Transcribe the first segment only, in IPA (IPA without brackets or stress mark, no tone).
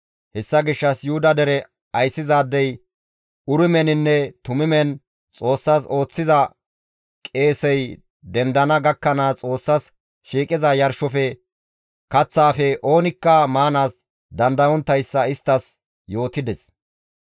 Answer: h